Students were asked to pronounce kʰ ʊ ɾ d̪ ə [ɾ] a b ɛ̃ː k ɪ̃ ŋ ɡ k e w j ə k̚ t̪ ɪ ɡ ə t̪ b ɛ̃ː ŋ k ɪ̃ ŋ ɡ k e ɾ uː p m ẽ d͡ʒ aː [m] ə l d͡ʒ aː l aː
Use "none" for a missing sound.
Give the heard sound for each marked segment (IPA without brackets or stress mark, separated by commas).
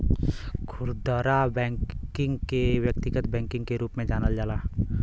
ɾ, n